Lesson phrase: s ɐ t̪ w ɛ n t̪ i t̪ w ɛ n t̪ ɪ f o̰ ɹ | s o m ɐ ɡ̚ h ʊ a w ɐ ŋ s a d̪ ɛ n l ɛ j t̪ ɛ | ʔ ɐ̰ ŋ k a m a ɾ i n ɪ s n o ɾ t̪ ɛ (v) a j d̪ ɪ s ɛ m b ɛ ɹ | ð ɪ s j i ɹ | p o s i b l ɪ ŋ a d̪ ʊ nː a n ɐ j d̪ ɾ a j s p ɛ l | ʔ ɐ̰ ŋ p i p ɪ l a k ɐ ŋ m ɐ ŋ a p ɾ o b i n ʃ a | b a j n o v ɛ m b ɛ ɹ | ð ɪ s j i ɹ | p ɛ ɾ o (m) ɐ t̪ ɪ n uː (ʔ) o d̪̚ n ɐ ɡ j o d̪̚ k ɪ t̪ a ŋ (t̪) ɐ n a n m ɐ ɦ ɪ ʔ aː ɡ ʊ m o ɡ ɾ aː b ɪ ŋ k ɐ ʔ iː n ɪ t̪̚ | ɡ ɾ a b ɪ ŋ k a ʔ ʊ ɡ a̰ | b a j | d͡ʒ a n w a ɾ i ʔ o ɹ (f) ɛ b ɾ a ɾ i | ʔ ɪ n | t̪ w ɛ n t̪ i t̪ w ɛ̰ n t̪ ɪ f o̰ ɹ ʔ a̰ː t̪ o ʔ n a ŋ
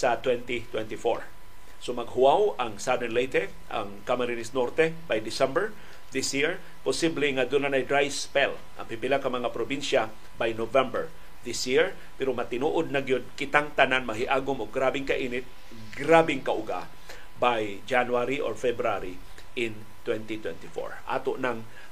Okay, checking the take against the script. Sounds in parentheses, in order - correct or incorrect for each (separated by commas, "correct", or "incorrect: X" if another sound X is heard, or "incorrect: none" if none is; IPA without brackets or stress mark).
incorrect: b, correct, correct, correct, correct